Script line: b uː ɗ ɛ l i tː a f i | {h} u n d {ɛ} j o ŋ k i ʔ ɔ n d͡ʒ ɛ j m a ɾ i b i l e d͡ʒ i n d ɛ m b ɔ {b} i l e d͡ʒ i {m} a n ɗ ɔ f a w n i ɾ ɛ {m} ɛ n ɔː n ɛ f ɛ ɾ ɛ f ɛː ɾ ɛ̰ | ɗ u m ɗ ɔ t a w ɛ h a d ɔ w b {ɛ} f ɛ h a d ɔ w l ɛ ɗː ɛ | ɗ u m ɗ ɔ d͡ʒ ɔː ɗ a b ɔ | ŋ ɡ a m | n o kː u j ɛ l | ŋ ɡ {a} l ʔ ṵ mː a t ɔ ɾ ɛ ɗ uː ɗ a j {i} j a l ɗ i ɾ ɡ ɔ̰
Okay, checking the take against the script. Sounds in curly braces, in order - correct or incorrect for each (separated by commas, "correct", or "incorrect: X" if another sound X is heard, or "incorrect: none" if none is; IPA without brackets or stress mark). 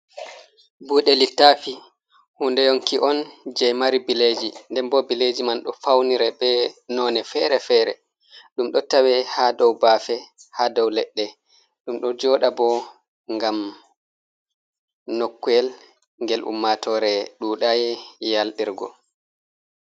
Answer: correct, correct, correct, correct, incorrect: b, incorrect: a, incorrect: ɛ, incorrect: ɛ